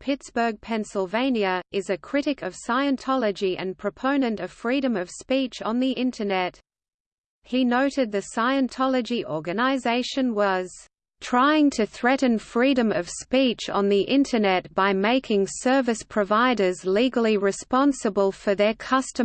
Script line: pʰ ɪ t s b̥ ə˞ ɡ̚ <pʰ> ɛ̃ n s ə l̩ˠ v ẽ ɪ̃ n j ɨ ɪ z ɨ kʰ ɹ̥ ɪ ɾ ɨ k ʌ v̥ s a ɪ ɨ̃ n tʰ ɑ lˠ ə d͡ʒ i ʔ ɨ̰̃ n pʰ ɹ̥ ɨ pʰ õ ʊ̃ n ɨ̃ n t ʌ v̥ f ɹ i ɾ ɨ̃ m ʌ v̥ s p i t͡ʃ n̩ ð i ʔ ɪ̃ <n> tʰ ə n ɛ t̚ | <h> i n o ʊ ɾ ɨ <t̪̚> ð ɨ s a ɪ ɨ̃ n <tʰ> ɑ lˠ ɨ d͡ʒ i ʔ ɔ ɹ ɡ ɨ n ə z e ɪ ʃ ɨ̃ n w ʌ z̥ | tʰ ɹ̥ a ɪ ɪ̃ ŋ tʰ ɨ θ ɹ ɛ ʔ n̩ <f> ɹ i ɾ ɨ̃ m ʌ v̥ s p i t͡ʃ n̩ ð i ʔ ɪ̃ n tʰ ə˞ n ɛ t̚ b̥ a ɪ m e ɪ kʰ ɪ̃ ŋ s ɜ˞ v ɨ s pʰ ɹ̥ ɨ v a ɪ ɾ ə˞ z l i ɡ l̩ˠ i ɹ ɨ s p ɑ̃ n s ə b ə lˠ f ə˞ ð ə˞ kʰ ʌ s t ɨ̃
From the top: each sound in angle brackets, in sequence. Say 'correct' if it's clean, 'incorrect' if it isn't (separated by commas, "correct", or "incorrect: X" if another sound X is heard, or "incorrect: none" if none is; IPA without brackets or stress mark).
correct, correct, correct, incorrect: d̪̚, correct, correct